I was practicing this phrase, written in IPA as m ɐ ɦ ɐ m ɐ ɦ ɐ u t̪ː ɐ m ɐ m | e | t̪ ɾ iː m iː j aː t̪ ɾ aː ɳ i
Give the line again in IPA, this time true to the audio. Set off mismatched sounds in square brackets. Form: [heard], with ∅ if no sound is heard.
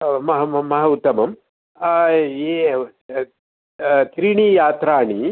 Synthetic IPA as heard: m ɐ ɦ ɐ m ɐ ɦ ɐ u t̪ː ɐ m ɐ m | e | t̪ ɾ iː [ɳ] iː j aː t̪ ɾ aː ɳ i